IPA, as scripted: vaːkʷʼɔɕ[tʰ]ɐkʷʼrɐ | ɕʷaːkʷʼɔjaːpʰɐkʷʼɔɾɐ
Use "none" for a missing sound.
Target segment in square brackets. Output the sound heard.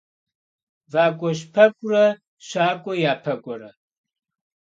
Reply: pʰ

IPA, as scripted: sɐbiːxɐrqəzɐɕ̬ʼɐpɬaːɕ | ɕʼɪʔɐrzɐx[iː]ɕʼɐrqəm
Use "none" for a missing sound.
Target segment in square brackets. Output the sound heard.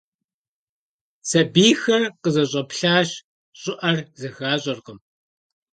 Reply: aː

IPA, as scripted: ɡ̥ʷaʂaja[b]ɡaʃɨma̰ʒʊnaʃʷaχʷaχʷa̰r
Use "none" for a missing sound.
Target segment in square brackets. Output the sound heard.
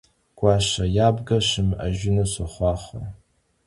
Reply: b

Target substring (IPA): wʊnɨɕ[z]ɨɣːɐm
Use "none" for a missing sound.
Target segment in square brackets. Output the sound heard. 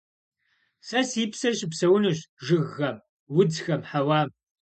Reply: ʒ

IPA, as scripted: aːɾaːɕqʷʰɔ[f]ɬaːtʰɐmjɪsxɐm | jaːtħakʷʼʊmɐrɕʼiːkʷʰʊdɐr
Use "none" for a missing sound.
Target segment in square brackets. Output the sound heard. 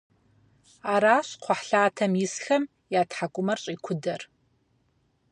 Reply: ħ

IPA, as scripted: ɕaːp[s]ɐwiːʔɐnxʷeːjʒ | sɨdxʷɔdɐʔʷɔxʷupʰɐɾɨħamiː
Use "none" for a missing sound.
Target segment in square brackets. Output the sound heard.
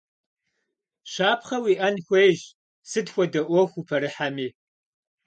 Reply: χ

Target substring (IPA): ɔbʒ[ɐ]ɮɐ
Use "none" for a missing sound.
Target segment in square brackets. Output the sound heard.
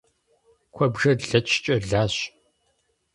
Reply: ɐ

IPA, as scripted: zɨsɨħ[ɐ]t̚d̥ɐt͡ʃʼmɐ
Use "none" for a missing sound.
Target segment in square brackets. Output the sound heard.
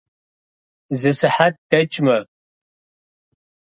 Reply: a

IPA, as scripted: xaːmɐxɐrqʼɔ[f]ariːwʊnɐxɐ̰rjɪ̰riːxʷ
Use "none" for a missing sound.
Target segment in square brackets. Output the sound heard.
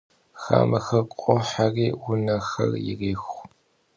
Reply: ħ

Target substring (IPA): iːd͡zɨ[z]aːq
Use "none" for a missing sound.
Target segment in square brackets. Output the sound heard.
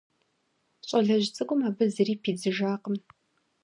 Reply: ʒ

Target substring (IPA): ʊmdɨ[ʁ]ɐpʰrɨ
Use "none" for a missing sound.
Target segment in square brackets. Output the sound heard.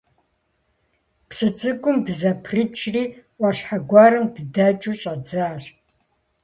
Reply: z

